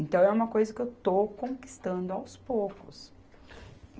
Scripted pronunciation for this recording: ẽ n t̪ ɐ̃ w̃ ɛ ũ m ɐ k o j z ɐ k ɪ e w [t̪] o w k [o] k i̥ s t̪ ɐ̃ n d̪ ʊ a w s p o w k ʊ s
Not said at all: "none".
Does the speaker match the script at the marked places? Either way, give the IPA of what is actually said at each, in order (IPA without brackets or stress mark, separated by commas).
t̪, õ